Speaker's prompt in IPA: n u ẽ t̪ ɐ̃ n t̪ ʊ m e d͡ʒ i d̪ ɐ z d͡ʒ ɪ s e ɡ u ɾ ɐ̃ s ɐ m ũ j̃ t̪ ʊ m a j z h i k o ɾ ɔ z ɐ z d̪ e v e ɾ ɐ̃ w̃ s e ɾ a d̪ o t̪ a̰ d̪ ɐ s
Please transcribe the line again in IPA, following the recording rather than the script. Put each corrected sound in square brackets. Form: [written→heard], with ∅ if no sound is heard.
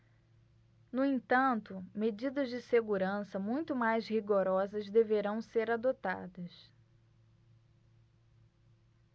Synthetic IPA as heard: n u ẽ t̪ ɐ̃ n t̪ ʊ m e d͡ʒ i d̪ ɐ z d͡ʒ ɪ s e ɡ u ɾ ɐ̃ s ɐ m ũ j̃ t̪ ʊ m a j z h i [k→ɡ] o ɾ ɔ z ɐ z d̪ e v e ɾ ɐ̃ w̃ s e ɾ a d̪ o t̪ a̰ d̪ ɐ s